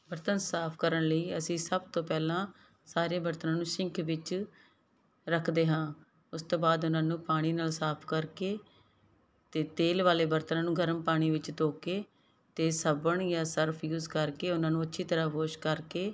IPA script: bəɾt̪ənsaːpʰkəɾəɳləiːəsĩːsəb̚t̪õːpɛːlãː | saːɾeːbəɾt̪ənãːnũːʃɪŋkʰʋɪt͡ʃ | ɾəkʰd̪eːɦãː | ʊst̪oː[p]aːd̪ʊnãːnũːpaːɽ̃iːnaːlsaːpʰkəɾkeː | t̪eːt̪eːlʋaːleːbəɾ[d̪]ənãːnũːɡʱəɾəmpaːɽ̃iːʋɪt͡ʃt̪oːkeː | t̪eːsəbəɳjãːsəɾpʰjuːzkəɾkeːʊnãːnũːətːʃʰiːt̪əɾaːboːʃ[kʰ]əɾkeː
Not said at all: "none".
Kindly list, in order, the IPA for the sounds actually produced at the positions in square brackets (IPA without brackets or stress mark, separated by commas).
b, t̪, k